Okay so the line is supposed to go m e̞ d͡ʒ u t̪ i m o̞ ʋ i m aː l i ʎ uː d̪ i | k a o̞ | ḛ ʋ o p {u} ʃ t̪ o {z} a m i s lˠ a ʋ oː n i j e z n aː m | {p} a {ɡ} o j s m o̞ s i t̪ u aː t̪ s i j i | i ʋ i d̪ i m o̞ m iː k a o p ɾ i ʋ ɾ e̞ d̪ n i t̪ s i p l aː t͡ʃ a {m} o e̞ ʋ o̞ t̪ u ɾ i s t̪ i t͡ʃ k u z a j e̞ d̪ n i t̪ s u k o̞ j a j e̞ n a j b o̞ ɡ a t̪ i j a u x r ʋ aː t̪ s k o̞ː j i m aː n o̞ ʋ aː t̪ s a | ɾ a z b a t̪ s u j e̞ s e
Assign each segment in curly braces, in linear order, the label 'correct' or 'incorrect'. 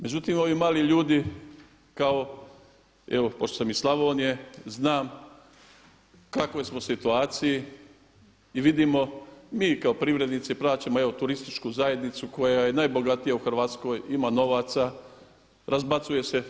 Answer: incorrect: o, incorrect: s, incorrect: k, incorrect: k, correct

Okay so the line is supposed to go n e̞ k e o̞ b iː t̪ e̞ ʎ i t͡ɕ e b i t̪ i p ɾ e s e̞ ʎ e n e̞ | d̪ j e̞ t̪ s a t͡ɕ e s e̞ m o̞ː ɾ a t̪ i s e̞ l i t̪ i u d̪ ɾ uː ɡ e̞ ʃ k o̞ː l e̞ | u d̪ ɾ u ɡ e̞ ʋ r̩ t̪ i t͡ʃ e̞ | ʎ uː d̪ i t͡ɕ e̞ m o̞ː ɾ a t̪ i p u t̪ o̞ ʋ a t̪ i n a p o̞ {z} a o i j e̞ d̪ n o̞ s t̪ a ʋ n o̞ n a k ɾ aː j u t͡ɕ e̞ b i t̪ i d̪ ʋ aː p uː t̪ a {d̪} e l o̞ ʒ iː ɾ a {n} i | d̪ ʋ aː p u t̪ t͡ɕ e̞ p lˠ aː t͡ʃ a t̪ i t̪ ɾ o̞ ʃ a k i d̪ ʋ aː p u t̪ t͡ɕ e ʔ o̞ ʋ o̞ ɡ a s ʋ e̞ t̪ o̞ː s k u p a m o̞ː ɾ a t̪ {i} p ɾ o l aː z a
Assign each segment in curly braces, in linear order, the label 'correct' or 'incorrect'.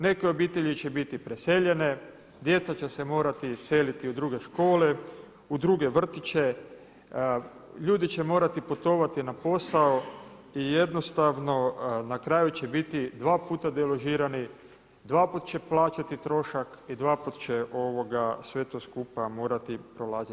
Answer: incorrect: s, correct, correct, correct

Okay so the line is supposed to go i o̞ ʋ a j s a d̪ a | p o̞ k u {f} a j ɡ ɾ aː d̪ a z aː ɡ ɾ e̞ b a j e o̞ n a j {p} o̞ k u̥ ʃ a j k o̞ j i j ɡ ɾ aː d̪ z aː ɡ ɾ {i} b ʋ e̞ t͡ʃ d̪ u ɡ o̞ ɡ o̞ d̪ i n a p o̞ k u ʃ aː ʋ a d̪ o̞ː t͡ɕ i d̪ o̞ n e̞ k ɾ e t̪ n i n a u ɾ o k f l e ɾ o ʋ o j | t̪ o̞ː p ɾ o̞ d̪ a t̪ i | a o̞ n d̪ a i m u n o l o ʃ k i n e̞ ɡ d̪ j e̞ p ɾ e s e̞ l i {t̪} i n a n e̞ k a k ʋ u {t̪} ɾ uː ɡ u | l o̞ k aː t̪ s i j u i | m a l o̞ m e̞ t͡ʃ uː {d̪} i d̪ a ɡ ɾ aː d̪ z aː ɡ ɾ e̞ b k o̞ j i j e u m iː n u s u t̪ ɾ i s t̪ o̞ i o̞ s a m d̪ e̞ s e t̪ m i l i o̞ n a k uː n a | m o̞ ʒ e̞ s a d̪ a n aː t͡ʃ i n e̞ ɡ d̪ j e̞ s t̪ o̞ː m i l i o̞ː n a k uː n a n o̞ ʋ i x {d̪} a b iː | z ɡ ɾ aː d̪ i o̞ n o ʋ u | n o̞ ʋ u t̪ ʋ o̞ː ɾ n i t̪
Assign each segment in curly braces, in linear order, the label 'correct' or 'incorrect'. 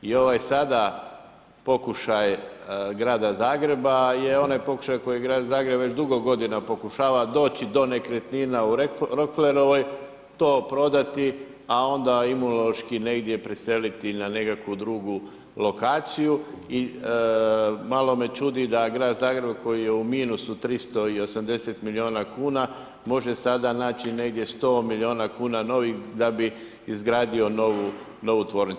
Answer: incorrect: ʃ, correct, incorrect: e, correct, incorrect: d̪, correct, correct

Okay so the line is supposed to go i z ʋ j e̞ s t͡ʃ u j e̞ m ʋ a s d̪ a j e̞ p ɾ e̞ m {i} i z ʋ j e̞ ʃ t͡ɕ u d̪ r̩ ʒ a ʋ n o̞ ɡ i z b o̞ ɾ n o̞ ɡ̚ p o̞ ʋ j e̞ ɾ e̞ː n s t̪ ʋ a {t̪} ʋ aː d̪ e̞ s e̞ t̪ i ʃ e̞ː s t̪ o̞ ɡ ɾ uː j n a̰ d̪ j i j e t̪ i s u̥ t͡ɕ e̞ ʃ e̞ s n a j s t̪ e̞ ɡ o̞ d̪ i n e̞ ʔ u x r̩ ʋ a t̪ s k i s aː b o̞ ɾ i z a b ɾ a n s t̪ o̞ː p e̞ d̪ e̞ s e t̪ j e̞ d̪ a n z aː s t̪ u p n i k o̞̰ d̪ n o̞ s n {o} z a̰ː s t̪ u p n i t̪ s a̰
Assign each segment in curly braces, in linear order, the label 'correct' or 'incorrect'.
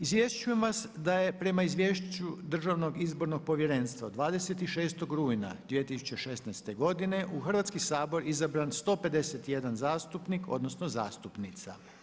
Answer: incorrect: a, incorrect: d̪, correct

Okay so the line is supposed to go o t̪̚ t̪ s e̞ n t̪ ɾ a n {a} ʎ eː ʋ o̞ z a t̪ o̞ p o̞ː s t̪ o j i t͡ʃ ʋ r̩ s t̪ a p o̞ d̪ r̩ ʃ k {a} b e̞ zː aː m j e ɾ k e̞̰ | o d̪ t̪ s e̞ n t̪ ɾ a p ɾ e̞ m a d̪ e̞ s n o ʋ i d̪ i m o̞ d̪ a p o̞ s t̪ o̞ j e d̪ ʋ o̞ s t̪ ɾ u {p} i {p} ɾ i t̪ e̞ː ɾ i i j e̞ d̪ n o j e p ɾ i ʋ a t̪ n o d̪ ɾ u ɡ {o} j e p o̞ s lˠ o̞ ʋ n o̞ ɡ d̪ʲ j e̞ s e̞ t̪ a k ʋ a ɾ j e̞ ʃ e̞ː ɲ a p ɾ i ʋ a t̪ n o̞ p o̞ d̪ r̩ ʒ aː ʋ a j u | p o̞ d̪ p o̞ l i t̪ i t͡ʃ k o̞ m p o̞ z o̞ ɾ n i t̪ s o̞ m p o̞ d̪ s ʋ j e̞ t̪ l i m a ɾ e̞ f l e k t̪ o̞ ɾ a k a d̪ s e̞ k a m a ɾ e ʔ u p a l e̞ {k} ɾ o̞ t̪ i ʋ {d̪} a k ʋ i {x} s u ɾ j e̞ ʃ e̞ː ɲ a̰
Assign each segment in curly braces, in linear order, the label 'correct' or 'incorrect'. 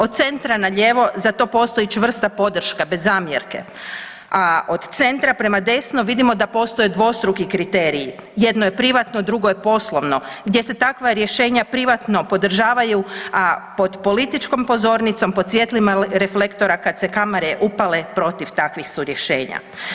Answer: correct, correct, incorrect: k, incorrect: k, correct, incorrect: p, incorrect: t̪, correct

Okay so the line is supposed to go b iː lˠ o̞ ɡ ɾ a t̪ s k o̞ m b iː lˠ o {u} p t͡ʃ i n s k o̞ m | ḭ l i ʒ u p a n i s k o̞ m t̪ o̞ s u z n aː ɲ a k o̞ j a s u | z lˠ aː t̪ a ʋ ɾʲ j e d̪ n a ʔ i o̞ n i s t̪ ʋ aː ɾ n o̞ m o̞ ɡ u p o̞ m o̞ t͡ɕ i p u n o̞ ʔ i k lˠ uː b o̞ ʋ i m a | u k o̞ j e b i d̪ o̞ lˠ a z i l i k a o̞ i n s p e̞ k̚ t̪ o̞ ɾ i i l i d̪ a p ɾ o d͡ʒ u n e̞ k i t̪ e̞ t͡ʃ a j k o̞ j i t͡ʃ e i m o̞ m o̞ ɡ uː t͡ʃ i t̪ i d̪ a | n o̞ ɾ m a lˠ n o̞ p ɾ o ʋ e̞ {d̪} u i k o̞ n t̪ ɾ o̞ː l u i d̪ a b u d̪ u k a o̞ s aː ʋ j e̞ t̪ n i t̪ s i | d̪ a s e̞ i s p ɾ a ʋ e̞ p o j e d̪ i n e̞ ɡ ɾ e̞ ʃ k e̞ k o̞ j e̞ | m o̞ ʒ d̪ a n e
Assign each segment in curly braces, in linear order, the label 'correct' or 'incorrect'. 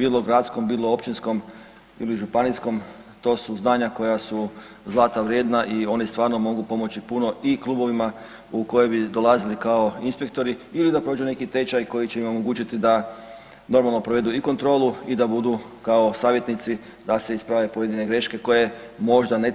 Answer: incorrect: o, correct

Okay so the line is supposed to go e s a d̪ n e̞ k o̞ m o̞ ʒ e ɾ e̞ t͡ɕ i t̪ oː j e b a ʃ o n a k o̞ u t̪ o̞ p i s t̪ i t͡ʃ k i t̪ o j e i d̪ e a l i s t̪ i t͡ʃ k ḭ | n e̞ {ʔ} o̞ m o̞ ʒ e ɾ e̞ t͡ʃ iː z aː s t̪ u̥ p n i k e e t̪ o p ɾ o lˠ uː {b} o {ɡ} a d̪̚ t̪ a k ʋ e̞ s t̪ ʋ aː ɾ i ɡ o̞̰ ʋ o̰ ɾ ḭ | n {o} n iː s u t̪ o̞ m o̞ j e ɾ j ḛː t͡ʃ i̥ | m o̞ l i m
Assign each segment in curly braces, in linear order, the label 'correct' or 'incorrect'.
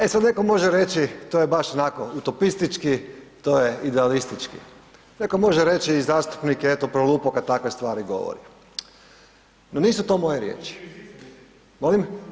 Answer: incorrect: k, incorrect: p, incorrect: k, correct

